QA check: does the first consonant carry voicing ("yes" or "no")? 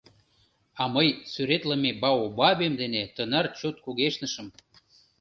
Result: yes